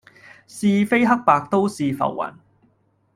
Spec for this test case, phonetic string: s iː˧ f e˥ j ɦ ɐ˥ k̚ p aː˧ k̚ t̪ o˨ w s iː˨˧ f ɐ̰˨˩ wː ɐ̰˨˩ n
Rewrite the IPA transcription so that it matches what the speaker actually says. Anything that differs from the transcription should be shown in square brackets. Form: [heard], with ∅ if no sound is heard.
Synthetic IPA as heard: s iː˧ f e˥ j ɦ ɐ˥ k̚ p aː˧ k̚ t̪ [o˥] w s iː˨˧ f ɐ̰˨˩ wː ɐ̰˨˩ n